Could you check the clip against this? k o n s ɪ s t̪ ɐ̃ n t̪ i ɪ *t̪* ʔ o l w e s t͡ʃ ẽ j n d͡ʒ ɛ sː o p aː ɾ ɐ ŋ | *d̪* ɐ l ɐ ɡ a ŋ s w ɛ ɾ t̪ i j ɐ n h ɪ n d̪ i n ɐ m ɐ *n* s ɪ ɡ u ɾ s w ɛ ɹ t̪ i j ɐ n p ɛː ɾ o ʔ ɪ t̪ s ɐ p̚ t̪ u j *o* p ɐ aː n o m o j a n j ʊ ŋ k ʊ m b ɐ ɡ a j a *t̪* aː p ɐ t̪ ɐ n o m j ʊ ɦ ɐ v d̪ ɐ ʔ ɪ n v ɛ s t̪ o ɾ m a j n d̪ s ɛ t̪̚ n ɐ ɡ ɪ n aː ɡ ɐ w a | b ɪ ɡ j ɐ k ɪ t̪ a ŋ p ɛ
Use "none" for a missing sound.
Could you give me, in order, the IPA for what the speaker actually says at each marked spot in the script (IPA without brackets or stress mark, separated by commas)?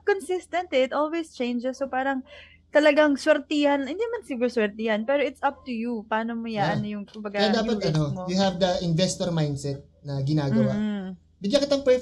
t̪, t̪, n, u, d̪